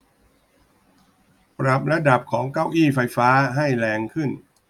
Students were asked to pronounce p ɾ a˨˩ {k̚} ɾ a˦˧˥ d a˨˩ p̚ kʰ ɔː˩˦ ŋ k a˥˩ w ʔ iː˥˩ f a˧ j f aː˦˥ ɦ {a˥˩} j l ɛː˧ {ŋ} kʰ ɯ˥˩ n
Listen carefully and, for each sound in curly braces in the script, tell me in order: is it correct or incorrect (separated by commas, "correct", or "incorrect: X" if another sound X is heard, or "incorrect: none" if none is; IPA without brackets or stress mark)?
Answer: incorrect: p̚, correct, correct